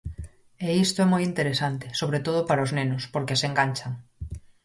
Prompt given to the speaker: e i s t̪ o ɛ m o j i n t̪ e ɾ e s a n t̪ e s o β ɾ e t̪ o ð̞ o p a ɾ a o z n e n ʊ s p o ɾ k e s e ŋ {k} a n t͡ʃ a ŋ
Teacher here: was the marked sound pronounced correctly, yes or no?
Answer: no